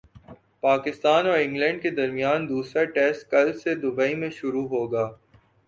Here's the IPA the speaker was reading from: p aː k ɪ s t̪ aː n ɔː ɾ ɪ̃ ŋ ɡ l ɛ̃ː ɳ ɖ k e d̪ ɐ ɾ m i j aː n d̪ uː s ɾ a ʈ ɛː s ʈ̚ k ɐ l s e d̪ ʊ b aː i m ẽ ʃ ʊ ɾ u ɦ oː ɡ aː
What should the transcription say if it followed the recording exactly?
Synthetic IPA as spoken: p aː k ɪ s t̪ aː n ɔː ɾ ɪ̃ ŋ ɡ l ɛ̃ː ɳ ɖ k e d̪ ɐ ɾ m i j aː n d̪ uː s ɾ a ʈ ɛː s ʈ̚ k ɐ l s e d̪ ʊ b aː i m ẽ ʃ ʊ ɾ u ɦ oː ɡ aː